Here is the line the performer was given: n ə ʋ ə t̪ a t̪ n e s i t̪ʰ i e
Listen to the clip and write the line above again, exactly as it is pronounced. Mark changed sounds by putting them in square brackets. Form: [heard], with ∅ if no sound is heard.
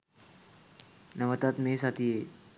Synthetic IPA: n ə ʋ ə t̪ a t̪ [m] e s [a] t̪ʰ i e